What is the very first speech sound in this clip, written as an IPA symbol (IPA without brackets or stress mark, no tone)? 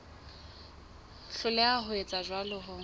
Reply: ɬ